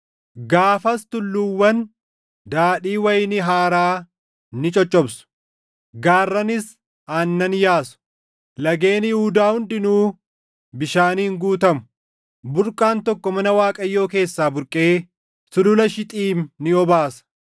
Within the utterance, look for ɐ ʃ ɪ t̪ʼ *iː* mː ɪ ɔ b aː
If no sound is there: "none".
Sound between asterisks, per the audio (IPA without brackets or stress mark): iː